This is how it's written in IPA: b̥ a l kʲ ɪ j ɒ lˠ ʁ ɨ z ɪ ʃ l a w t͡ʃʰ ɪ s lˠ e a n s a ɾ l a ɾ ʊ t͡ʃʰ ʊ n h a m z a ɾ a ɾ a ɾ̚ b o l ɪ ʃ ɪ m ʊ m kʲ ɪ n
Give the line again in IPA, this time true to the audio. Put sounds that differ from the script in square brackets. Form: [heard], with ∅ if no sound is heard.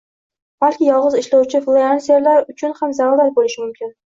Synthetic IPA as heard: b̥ a l kʲ ɪ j ɒ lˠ ʁ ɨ z ɪ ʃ l a w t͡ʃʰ ɪ [f] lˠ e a n s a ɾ l a ɾ ʊ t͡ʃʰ ʊ n h a m z a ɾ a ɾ a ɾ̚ b o l ɪ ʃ ɪ m ʊ m kʲ ɪ n